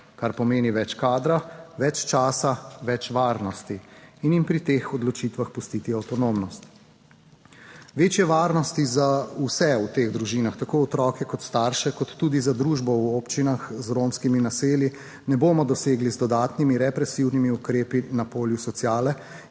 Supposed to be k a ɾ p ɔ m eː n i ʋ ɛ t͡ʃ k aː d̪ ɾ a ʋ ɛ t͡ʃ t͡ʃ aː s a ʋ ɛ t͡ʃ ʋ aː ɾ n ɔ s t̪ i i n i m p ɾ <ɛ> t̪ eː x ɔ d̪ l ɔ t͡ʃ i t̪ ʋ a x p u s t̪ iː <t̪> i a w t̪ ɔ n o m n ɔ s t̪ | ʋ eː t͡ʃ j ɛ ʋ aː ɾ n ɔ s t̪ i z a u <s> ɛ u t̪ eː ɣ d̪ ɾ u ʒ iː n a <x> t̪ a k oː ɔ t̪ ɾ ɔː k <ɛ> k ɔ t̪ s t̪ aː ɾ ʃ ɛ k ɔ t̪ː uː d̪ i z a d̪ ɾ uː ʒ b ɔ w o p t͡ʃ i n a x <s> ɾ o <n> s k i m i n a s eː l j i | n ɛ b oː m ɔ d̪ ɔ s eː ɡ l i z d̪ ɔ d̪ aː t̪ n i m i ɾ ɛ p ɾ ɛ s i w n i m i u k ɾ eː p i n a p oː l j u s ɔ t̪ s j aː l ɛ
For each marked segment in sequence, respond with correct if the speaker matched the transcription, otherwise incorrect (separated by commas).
incorrect, correct, correct, correct, correct, incorrect, incorrect